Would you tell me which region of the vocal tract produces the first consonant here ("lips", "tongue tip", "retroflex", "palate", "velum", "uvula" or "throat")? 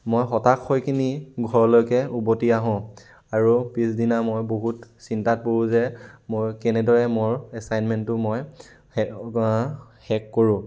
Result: lips